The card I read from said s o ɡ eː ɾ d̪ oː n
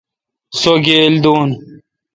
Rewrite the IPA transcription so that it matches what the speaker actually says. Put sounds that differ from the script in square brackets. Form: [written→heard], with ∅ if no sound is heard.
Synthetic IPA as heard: s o ɡ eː [ɾ→l] d̪ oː n